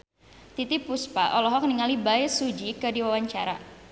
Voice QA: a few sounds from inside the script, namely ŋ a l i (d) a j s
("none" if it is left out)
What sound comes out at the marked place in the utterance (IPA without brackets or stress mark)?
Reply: b